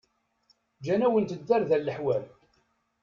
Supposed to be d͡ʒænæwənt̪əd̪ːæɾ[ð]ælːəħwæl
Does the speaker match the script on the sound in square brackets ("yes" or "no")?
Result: yes